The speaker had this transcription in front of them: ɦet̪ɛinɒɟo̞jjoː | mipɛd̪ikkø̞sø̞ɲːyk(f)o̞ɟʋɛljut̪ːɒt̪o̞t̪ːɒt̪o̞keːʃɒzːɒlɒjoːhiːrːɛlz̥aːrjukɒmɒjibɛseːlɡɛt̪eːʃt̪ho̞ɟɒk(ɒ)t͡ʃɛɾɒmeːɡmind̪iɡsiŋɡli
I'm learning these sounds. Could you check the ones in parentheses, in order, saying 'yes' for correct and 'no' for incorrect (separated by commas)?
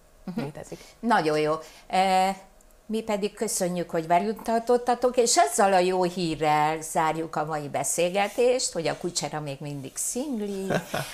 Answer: no, no